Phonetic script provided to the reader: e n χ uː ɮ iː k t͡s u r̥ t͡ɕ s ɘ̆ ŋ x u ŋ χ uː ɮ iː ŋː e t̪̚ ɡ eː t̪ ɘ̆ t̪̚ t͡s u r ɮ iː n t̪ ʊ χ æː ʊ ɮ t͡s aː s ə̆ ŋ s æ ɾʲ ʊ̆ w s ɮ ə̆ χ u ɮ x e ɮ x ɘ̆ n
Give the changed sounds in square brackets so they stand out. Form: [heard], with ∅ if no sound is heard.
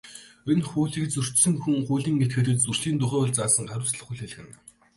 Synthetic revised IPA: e n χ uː ɮ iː k t͡s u r̥ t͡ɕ s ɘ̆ ŋ x u ŋ χ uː ɮ iː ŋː e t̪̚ ɡ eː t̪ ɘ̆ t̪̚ t͡s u r ɮ iː n t̪ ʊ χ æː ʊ ɮ t͡s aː s ə̆ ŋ [χ] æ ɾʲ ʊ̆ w s ɮ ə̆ χ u ɮ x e ɮ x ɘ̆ n